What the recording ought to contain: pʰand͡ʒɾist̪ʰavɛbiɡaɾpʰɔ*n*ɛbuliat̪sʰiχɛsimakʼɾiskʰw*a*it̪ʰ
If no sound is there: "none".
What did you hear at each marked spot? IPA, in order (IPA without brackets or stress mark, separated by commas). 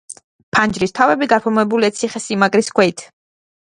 m, ɛ